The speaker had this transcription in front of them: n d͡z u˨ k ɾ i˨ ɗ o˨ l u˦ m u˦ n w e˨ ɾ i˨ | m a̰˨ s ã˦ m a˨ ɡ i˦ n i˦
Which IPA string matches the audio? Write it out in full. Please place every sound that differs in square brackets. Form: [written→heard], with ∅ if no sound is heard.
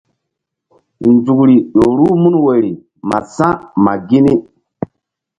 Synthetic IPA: n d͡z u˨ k ɾ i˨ ɗ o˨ [l→ɾ] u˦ m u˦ n w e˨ ɾ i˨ | m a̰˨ s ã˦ m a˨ ɡ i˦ n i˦